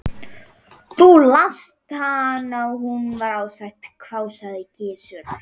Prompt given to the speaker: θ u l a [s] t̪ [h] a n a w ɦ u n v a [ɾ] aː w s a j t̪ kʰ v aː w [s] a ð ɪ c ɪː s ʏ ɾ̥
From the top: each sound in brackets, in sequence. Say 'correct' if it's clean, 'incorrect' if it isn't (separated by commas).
correct, correct, correct, correct